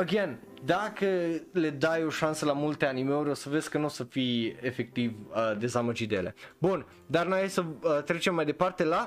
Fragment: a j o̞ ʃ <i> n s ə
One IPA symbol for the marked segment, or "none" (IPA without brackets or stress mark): a